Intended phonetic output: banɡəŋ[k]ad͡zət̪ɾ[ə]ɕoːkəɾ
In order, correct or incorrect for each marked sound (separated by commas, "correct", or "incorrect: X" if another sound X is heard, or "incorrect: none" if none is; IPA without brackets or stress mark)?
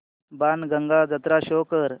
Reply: incorrect: ɡ, incorrect: a